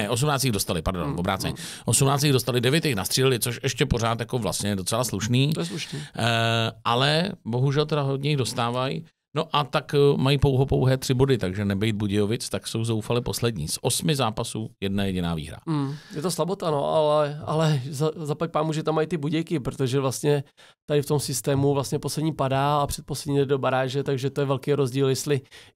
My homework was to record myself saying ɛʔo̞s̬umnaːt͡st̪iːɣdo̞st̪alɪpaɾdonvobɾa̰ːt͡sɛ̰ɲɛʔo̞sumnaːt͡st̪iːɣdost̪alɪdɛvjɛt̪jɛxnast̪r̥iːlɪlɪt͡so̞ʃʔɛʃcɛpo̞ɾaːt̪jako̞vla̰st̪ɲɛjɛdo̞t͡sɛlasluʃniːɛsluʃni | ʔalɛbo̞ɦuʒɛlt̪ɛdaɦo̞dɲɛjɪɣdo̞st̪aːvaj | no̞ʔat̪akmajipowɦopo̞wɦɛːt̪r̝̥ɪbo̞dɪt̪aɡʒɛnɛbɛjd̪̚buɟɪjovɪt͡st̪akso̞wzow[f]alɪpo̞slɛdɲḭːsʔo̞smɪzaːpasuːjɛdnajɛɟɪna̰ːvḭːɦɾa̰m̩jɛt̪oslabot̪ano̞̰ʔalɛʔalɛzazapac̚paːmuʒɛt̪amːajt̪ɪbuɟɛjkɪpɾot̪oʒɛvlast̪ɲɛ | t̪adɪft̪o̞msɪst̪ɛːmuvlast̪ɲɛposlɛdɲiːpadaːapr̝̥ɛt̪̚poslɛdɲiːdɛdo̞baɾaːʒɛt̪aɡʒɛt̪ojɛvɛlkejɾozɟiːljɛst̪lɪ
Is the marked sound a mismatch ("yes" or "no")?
no